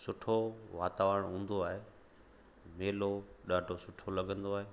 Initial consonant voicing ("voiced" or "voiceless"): voiceless